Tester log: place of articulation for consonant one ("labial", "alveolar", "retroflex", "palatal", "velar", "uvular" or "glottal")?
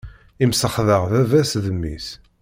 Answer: labial